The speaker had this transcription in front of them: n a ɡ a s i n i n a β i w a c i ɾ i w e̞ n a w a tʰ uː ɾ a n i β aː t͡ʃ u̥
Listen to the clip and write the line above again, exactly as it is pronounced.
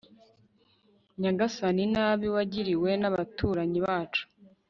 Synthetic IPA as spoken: ɲ a ɡ a s a n i n a β i w a ɟ i ɾ i w e̞ n a β a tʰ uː ɾ a ɲ i β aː t͡ʃ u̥